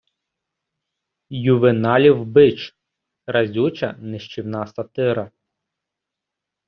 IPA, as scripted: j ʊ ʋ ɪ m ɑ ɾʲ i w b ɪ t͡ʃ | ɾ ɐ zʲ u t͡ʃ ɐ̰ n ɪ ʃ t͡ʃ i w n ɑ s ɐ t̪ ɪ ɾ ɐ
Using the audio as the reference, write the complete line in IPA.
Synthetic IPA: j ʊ ʋ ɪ n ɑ lʲ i w b ɪ t͡ʃ | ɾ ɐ zʲ u t͡ʃ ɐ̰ n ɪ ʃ t͡ʃ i w n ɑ s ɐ t̪ ɪ ɾ ɐ